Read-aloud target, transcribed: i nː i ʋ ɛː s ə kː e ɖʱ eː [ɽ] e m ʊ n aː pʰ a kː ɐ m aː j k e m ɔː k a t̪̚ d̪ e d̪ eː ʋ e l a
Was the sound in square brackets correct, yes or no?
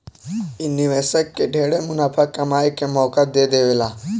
yes